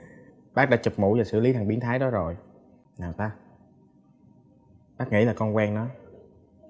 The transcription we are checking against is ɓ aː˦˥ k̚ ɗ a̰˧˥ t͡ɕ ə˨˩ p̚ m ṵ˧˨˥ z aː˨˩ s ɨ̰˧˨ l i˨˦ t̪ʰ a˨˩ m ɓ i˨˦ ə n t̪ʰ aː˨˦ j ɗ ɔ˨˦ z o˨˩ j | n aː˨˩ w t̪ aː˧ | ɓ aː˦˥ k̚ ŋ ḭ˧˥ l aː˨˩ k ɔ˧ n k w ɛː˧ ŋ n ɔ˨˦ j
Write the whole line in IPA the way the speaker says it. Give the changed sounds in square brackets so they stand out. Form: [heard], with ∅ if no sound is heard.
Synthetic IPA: ɓ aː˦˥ k̚ ɗ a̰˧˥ t͡ɕ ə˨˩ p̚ m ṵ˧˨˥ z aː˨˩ s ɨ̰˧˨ l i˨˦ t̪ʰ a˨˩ [ŋ] ɓ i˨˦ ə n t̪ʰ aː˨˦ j ɗ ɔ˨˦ z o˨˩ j | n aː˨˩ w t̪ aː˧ | ɓ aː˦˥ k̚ ŋ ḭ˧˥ l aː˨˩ k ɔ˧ n k w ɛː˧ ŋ n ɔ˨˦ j